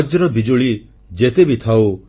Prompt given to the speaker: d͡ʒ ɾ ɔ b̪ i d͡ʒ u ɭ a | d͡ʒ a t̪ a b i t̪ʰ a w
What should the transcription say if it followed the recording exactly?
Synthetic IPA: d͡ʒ ɾ ɔ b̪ i d͡ʒ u ɭ i | d͡ʒ e t̪ e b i t̪ʰ a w